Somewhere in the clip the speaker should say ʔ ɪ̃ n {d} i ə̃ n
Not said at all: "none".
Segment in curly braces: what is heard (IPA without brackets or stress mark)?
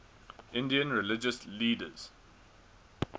d